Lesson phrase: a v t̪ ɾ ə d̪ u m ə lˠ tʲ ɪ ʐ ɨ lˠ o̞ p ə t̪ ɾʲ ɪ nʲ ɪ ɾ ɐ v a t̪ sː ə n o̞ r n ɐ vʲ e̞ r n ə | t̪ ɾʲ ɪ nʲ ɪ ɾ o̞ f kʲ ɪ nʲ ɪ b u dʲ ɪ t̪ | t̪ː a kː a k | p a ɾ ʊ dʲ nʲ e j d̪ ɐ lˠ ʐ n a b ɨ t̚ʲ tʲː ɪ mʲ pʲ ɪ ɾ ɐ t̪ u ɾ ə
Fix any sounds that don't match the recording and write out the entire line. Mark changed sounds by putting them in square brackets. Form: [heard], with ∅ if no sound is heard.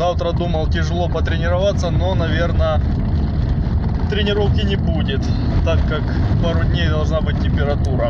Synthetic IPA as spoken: a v t̪ ɾ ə d̪ u m ə lˠ tʲ ɪ ʐ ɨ lˠ o̞ p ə t̪ ɾʲ ɪ nʲ ɪ ɾ ɐ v a t̪ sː ə n o̞ [∅] n ɐ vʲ e̞ r n ə | t̪ ɾʲ ɪ nʲ ɪ ɾ o̞ f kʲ ɪ nʲ ɪ b u dʲ ɪ t̪ | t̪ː a kː a k | p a ɾ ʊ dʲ nʲ e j d̪ ɐ lˠ ʐ n a b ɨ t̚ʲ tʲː ɪ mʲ pʲ ɪ ɾ ɐ t̪ u ɾ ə